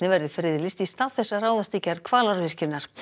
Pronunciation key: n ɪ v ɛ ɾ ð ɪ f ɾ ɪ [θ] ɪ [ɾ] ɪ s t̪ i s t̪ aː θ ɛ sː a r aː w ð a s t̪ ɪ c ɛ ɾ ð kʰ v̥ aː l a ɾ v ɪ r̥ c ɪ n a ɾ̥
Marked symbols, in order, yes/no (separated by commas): no, no